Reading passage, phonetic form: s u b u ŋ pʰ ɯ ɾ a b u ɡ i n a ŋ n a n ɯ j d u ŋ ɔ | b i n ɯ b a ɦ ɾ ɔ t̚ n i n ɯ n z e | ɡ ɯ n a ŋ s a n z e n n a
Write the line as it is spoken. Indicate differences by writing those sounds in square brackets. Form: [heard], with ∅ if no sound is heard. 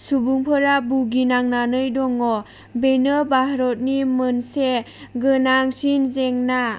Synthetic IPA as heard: s u b u ŋ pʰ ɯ ɾ a b u ɡ i n a ŋ n a n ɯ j d [ɔ] ŋ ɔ | b [e] n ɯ b a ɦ ɾ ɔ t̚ n i [m] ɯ n [s] e | ɡ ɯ n a ŋ s [i] n z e [ŋ] n a